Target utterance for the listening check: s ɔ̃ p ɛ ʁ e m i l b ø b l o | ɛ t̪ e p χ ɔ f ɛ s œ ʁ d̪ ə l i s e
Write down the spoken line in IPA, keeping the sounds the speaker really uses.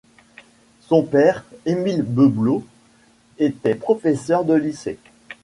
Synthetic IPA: s ɔ̃ p ɛ ʁ e m i l b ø b l o | e t̪ ɛ p χ ɔ f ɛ s œ ʁ d̪ ə l i s e